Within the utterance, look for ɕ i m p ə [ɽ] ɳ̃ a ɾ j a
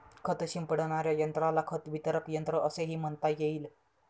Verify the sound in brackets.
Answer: correct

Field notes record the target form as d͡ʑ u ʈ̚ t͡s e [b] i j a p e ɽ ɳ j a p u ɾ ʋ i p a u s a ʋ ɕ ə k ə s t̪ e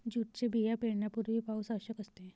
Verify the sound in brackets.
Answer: correct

